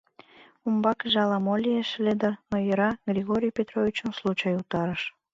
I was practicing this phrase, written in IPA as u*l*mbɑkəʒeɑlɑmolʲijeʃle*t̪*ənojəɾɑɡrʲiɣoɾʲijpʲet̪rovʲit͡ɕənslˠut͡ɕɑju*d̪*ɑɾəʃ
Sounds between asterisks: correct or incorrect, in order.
incorrect: none, incorrect: d̪, incorrect: t̪

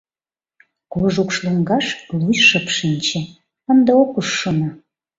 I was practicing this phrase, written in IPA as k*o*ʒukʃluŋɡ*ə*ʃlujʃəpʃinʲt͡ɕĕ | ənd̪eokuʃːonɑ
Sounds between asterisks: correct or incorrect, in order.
correct, incorrect: ɑ

